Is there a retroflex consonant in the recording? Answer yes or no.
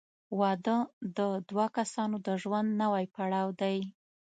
yes